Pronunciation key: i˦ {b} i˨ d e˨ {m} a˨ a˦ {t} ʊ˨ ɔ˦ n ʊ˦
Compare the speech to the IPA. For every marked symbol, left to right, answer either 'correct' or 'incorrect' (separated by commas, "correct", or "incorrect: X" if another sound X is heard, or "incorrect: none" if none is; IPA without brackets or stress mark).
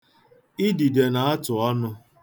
incorrect: d, incorrect: n, correct